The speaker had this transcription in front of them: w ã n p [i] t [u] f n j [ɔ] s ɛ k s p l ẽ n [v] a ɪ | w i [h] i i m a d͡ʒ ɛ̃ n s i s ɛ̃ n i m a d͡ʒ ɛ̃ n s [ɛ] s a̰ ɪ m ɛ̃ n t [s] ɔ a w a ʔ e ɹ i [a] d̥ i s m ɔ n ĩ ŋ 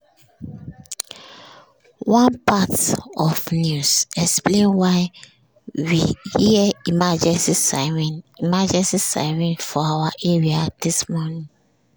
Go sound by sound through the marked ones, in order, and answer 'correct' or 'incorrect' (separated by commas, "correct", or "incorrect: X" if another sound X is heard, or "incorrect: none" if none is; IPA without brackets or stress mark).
incorrect: a, incorrect: ɔ, incorrect: u, incorrect: w, correct, incorrect: i, incorrect: f, correct